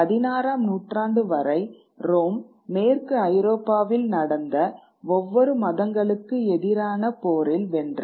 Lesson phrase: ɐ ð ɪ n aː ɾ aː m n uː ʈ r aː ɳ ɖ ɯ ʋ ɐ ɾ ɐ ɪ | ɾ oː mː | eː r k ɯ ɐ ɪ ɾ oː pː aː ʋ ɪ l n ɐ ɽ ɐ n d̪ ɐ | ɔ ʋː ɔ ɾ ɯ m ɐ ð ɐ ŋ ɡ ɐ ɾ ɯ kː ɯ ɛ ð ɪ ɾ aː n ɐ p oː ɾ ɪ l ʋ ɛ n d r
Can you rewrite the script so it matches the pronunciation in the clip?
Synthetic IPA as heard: ɐ ð ɪ n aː ɾ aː m n uː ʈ r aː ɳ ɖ ɯ ʋ ɐ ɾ ɐ ɪ | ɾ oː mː | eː r k ɯ ɐ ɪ ɾ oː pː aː ʋ ɪ l n ɐ ɽ ɐ n d̪ ɐ | ɔ ʋː ɔ ɾ ɯ m ɐ ð ɐ ŋ ɡ ɐ ɭ ɯ kː ɯ ɛ ð ɪ ɾ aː n ɐ p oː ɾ ɪ l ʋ ɛ n d r

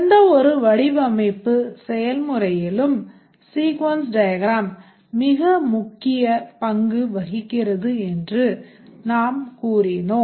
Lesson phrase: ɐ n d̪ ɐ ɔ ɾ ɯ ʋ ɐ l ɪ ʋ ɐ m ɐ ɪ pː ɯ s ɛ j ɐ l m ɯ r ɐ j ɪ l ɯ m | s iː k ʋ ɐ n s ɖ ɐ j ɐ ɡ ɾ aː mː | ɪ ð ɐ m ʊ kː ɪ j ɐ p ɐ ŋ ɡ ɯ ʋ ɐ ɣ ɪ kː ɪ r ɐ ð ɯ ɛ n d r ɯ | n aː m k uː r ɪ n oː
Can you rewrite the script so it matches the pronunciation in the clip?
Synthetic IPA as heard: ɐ n d̪ ɐ ɔ ɾ ɯ ʋ ɐ ɽ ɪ ʋ ɐ m ɐ ɪ pː ɯ s ɛ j ɐ l m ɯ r ɐ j ɪ l ɯ m | s iː k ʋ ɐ n s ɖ ɐ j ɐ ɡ ɾ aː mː | ɪ ɣ ɐ m ʊ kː ɪ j ɐ p ɐ ŋ ɡ ɯ ʋ ɐ ɣ ɪ kː ɪ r ɐ ð ɯ ɛ n d r ɯ | n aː m k uː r ɪ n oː

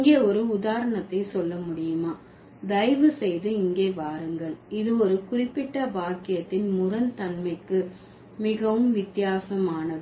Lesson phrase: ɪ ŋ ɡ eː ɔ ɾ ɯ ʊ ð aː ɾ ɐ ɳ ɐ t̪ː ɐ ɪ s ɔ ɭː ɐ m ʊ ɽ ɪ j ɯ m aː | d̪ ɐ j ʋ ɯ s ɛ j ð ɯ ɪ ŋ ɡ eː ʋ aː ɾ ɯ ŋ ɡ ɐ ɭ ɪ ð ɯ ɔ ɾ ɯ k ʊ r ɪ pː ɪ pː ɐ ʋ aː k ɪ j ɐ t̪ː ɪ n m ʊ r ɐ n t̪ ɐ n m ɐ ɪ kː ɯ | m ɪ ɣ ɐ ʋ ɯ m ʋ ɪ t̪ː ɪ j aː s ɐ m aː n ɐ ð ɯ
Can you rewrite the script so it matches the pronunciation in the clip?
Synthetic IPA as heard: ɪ ŋ ɡ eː ɔ ɾ ɯ ʊ ð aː ɾ ɐ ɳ ɐ t̪ː ɐ ɪ s ɔ lː ɐ m ʊ ɽ ɪ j ɯ m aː | d̪ ɐ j ʋ ɯ s ɛ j ð ɯ ɪ ŋ ɡ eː ʋ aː ɾ ɯ ŋ ɡ ɐ ɭ ɪ ð ɯ ɔ ɾ ɯ k ʊ r ɪ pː ɪ ʈː ɐ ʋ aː k ɪ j ɐ t̪ː ɪ n m ʊ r ɐ n t̪ ɐ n m ɐ ɪ kː ɯ | m ɪ ɣ ɐ ʋ ɯ m ʋ ɪ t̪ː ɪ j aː s ɐ m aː n ɐ ð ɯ

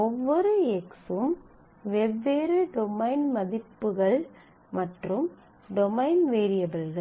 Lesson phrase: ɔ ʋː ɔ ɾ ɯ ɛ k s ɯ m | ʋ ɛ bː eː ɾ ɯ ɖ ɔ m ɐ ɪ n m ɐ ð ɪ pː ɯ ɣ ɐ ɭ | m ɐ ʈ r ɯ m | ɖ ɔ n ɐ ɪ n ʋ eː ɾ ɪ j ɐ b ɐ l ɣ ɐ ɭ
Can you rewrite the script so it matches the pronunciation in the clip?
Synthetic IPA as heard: ɔ ʋː ɔ ɾ ɯ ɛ k s ɯ m | ʋ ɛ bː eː ɾ ɯ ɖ ɔ m ɐ ɪ n m ɐ ð ɪ pː ɯ ɣ ɐ ɭ | m ɐ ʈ r ɯ m | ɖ ɔ m ɐ ɪ n ʋ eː ɾ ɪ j ɐ b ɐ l ɣ ɐ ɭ

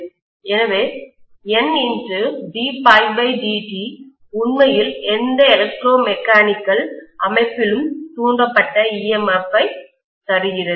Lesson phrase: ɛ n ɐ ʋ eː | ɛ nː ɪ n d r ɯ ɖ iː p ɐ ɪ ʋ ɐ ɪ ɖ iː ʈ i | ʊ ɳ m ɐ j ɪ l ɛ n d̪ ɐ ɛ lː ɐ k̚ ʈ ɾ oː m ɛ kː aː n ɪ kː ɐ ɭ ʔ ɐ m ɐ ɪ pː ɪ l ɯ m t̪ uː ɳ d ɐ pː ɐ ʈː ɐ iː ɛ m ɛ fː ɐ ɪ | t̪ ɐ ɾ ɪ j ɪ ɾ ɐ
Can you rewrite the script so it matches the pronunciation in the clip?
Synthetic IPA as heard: ɛ n ɐ ʋ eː | ɛ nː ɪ n d r ɯ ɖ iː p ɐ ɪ ʋ ɐ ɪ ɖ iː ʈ i | ʊ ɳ m ɐ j ɪ l ɛ n d̪ ɐ ɛ l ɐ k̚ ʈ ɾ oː m ɛ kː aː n ɪ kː ɐ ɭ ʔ ɐ m ɐ ɪ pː ɪ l ɯ m t̪ uː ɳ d ɐ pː ɐ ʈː ɐ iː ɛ m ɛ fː ɐ ɪ | t̪ ɐ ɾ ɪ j ɪ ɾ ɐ

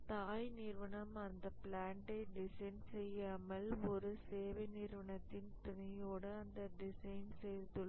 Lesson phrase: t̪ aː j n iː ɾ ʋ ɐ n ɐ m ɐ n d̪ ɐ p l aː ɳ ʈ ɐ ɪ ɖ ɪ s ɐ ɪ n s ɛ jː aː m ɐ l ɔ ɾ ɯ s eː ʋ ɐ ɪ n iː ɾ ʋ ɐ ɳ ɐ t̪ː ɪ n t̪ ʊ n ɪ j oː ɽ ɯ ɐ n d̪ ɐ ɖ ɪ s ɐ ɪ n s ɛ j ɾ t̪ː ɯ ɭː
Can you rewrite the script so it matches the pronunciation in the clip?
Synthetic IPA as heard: t̪ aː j n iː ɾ ʋ ɐ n ɐ m ɐ n d̪ ɐ p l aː ɳ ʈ ɐ ɪ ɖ ɪ s ɐ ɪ n s ɛ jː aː m ɐ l ɔ ɾ ɯ s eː ʋ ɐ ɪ n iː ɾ ʋ ɐ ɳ ɐ t̪ː ɪ n t̪ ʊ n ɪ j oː ɽ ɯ ɐ n d̪ ɐ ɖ ɪ s ɐ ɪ n s ɛ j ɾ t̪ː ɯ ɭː

